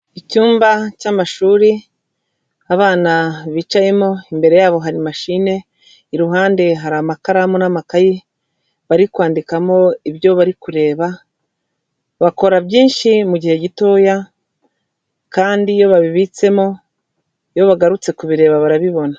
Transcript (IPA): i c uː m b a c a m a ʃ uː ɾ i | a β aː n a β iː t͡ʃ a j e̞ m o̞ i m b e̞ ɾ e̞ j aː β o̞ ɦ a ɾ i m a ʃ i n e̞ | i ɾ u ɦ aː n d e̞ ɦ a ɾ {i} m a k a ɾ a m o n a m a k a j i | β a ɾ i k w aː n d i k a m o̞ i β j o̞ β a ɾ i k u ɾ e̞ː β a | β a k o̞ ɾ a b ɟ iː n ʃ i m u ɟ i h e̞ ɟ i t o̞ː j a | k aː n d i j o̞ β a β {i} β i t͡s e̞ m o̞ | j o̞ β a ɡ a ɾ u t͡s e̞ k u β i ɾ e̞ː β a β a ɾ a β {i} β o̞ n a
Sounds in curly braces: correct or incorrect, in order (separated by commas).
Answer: incorrect, correct, correct